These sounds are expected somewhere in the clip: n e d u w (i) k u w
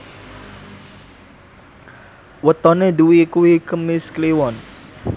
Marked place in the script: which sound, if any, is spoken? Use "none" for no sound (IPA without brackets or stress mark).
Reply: i